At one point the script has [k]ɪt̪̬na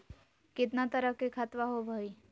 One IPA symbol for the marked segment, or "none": k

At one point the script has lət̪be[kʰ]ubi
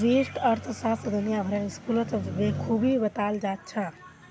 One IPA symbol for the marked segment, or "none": kʰ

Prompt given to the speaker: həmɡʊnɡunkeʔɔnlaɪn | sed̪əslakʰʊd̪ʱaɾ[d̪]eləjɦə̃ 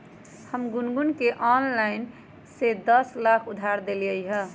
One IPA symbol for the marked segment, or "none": d̪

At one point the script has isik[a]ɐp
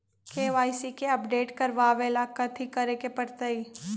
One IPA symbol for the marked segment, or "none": e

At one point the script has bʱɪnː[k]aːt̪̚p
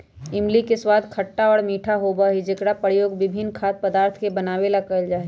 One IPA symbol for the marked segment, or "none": kʰ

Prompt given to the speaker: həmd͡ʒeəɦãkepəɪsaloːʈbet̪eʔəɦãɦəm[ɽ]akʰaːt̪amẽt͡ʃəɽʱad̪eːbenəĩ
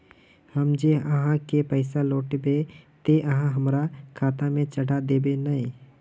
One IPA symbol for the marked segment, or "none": ɾ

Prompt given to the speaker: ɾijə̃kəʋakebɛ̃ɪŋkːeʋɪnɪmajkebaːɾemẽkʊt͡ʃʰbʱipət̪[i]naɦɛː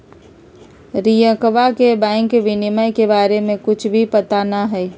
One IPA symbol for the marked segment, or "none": a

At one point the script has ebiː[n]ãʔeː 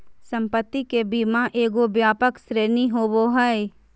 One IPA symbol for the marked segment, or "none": m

